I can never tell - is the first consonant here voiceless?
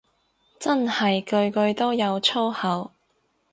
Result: yes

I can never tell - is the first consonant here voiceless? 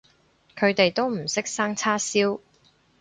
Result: yes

